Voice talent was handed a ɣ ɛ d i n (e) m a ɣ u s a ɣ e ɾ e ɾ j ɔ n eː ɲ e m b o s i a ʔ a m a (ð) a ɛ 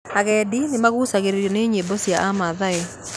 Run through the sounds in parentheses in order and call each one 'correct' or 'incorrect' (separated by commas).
correct, correct